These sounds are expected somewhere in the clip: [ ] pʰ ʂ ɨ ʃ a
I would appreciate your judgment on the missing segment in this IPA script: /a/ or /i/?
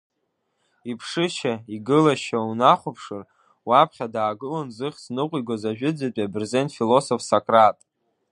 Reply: i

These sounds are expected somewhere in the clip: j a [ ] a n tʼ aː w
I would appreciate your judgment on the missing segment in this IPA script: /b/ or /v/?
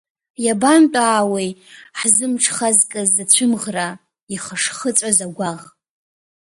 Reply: b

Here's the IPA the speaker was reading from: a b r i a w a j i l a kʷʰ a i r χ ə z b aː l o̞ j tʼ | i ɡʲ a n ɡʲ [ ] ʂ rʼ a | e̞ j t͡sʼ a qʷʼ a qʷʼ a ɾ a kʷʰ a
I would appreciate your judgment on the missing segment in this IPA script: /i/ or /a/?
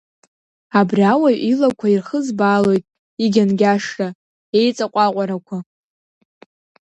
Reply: a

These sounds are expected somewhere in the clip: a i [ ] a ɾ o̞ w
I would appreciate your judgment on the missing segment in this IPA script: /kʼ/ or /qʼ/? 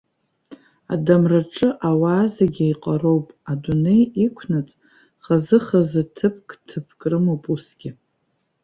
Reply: qʼ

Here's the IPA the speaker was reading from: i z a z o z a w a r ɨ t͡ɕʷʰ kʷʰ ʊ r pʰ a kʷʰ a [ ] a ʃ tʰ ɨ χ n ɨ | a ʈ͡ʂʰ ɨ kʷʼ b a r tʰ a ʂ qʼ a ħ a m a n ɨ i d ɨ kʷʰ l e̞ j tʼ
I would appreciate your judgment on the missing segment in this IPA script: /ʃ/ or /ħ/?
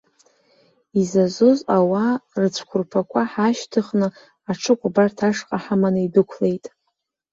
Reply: ħ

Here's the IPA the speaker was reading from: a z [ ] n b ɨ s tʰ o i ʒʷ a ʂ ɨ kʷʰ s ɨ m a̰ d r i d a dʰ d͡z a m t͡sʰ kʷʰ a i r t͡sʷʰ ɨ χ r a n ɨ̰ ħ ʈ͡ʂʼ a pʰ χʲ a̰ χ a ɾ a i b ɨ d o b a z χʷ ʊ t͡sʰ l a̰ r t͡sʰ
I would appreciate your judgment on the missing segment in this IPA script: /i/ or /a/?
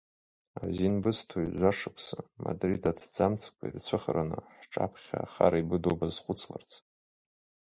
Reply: i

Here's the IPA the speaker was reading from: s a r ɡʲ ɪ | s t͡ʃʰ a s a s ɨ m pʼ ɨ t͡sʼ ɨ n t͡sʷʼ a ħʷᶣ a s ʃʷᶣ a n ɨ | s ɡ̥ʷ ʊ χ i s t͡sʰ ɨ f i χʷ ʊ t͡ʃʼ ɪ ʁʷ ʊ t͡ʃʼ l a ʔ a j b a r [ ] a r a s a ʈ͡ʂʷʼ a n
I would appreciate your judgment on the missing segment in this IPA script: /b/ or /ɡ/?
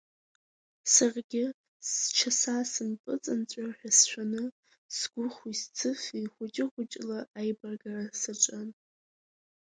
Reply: ɡ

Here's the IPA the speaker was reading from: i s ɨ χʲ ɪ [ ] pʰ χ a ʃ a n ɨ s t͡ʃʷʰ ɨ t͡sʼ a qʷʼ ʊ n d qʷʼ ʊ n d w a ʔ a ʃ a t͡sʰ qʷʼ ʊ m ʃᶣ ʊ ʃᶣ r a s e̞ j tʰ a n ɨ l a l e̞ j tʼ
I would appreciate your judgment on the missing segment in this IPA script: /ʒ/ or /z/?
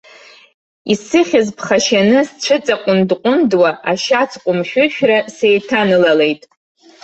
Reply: z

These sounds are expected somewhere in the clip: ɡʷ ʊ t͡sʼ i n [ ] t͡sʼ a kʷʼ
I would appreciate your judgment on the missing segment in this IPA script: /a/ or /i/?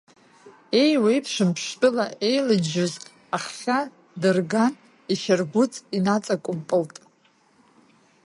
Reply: a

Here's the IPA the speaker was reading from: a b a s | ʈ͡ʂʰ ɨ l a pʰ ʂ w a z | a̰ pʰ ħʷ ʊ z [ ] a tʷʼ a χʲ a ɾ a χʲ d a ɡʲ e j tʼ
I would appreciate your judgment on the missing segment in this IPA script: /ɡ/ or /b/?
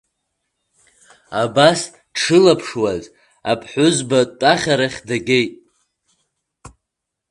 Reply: b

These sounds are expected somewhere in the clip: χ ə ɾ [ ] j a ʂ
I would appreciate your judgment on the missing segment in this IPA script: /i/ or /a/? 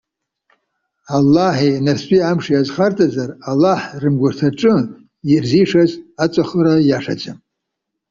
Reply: a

